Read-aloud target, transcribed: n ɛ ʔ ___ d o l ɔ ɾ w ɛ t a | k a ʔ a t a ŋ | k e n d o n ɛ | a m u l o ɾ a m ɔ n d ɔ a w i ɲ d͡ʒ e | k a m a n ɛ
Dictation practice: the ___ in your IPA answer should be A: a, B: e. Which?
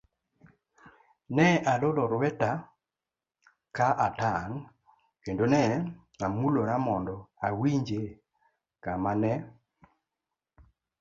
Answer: A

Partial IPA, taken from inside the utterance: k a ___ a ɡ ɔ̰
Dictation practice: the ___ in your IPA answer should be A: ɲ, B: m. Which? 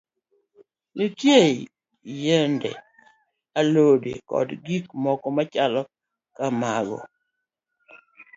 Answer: B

